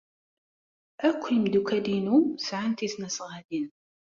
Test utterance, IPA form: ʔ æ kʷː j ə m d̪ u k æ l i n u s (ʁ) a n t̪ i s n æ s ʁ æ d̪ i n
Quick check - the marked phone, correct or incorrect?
incorrect